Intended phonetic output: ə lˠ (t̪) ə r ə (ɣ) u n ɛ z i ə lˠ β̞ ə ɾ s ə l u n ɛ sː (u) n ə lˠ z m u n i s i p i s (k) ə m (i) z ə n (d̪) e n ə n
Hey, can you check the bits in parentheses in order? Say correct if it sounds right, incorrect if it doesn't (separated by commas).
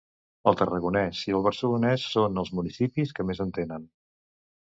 correct, correct, incorrect, correct, incorrect, incorrect